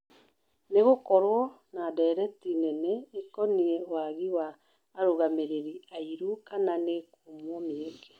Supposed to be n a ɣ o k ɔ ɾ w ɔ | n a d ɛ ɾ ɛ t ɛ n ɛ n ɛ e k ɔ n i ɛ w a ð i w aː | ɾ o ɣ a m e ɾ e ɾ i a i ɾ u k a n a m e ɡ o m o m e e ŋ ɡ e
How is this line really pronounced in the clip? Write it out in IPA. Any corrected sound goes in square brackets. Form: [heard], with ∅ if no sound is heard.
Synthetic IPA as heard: n [e] ɣ o k ɔ ɾ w ɔ | n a d ɛ ɾ ɛ t [i] n ɛ n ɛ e k ɔ n i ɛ w a [ɣ] i w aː | ɾ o ɣ a m e ɾ e ɾ i a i ɾ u k a n a [n] e [k] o m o m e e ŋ ɡ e

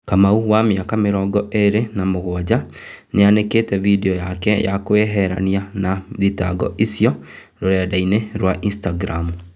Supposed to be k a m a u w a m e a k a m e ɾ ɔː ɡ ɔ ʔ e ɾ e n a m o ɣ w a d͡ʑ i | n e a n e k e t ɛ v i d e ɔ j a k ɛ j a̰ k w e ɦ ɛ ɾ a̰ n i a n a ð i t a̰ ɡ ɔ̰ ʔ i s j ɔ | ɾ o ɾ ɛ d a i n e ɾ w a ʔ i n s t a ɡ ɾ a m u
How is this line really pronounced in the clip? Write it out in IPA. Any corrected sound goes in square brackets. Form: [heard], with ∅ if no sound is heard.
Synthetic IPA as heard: k a m a u w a m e a k a m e ɾ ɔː ɡ ɔ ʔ e ɾ e n a m o ɣ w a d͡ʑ [a] | n e a n e k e t ɛ v i d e ɔ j a k ɛ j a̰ k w e ɦ ɛ ɾ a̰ n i a n a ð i t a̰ ɡ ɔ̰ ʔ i s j ɔ | ɾ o ɾ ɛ d a i n e ɾ w a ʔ i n s t a ɡ ɾ a m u

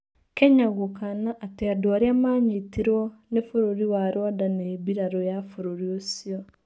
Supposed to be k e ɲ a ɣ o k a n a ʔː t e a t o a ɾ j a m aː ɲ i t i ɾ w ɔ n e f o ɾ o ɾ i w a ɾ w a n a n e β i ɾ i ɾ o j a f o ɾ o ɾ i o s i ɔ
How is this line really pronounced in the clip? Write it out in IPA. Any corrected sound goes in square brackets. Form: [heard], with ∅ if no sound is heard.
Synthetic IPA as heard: k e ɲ a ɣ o k a n a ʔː t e a [d] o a ɾ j a m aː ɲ i t i ɾ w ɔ n e f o ɾ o ɾ i w a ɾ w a [d] a n e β i ɾ [a] ɾ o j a f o ɾ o ɾ i o s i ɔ

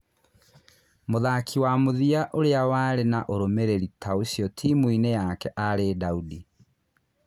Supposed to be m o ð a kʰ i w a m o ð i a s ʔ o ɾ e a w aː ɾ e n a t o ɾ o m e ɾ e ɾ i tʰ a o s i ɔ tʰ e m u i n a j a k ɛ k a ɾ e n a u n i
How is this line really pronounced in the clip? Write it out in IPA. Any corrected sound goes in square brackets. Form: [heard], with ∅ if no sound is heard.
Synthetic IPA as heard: m o ð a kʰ i w a m o ð i a [∅] ʔ o ɾ e a w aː ɾ e n a [ʔ] o ɾ o m e ɾ e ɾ i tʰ a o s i ɔ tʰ [i] m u i n [e] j a k ɛ [ʔ] a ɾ e [d] a u [d] i

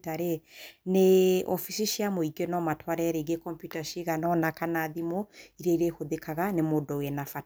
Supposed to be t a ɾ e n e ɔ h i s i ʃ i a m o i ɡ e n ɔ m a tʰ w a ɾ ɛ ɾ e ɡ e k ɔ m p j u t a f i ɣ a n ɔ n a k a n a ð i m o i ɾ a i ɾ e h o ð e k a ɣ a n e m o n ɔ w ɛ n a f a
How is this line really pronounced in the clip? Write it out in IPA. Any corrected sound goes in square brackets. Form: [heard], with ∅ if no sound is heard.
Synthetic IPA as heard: t a ɾ e n e ɔ [f] i s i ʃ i a m o i ɡ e n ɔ m a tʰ w a ɾ ɛ ɾ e ɡ e k ɔ m p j u t a [ʃ] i ɣ a n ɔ n a k a n a ð i m o i ɾ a i ɾ e h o ð e k a ɣ a n e m o [d] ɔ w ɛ n a f a

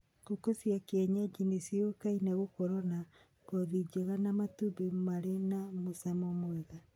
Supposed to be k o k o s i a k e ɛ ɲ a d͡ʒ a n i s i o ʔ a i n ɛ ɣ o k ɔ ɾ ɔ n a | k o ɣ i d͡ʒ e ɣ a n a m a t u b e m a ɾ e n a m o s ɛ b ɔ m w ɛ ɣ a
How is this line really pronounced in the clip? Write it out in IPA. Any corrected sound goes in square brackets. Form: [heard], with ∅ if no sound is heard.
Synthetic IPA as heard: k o k o s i a k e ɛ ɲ a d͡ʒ [i] n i s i o [k] a i n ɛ ɣ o k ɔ ɾ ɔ n a | k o [ð] i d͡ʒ e ɣ a n a m a t u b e m a ɾ e n a m o s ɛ [m] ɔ m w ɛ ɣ a

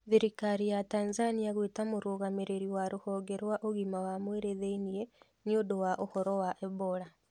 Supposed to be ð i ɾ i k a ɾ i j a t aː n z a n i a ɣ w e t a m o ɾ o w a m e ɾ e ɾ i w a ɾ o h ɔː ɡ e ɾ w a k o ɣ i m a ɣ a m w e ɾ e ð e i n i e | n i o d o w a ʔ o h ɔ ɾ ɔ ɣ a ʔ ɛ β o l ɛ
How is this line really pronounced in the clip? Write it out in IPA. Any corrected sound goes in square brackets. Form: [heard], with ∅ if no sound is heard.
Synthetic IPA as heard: ð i ɾ i k a ɾ i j a t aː n z a n i a ɣ w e t a m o ɾ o [ɣ] a m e ɾ e ɾ i w a ɾ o h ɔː ɡ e ɾ w a [ʔ] o ɣ i m a [w] a m w e ɾ e ð e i n i e | n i o d o w a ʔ o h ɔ ɾ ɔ [w] a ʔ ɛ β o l [a]

